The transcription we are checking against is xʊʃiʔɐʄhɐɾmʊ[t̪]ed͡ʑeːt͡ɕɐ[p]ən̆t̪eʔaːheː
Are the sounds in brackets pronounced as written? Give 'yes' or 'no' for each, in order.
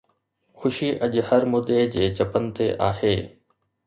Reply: no, yes

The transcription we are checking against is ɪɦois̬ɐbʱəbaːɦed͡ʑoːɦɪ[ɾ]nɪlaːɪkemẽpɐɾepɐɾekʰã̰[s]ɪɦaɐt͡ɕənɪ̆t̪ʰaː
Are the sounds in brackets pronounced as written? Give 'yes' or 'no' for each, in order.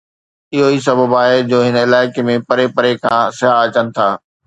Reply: no, yes

